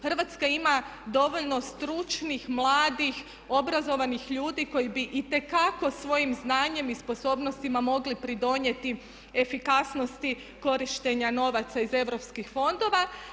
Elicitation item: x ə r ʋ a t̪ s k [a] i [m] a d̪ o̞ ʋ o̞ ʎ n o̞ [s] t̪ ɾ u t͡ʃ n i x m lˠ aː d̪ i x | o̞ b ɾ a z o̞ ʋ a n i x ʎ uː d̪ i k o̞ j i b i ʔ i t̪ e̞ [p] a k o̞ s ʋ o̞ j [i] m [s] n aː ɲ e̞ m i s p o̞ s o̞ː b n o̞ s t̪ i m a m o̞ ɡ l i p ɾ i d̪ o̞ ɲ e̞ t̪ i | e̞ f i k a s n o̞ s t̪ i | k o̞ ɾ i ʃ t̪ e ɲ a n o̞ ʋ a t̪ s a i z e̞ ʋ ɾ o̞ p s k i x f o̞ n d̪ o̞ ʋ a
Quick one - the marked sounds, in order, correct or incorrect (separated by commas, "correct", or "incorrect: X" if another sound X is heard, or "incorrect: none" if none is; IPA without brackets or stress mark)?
correct, correct, correct, incorrect: k, correct, incorrect: z